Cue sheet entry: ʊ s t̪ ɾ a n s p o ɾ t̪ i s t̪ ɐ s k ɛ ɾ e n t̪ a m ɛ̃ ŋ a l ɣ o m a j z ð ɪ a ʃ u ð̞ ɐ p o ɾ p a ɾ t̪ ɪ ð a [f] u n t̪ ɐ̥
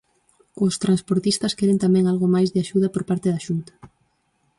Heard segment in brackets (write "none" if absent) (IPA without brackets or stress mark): ʃ